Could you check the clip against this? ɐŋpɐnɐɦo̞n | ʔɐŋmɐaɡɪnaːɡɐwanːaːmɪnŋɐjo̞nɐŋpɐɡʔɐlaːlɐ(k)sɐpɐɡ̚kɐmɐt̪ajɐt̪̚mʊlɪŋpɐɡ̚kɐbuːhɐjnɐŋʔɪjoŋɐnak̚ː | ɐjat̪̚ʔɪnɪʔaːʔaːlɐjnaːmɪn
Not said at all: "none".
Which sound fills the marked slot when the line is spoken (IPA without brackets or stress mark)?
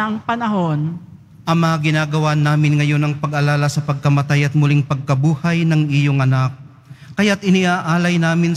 none